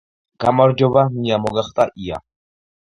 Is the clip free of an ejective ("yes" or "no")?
no